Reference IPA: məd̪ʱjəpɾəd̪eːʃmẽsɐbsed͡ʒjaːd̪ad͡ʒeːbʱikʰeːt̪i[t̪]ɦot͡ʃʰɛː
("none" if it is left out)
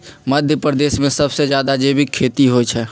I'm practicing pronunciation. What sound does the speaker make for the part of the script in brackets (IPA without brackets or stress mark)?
none